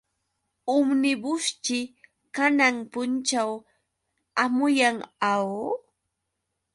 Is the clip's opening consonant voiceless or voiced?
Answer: voiced